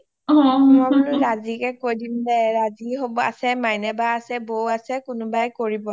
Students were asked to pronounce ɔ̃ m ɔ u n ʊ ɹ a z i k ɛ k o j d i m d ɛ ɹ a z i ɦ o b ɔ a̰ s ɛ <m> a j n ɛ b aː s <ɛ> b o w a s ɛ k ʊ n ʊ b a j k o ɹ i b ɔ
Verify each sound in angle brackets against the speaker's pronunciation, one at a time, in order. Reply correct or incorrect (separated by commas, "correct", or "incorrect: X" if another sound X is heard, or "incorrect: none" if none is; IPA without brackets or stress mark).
correct, correct